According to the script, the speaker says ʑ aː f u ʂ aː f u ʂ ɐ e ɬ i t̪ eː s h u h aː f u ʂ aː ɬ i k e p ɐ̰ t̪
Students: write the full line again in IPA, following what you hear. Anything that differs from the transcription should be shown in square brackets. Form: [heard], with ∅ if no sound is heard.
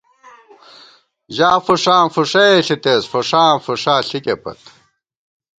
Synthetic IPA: ʑ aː f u ʂ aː f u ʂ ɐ e ɬ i t̪ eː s [f] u [ʂ] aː f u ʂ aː ɬ i k e p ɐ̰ t̪